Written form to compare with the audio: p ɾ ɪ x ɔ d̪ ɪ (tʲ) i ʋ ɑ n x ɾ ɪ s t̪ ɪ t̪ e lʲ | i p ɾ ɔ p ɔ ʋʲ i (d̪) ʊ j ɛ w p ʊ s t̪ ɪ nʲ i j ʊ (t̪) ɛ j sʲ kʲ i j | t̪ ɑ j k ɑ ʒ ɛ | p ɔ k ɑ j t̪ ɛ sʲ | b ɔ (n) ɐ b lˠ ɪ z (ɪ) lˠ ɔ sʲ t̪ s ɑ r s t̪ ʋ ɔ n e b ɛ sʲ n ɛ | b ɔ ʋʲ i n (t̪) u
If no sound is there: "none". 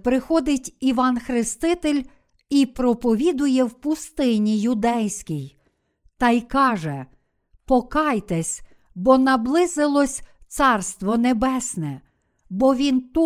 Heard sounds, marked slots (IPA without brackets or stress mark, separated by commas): tʲ, d̪, d̪, n, ɪ, t̪